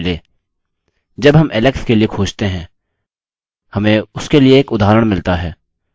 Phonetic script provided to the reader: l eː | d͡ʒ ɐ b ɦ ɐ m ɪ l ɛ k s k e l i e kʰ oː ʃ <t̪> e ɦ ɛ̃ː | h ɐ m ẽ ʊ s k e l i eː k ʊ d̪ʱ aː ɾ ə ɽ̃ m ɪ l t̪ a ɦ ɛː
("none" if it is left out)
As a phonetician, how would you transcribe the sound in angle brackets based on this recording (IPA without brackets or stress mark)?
t̪